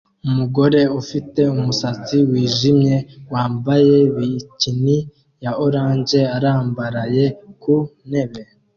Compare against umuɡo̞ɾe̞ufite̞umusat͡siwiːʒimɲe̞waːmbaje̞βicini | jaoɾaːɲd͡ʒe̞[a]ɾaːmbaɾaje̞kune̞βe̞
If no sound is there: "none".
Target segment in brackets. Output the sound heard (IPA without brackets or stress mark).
a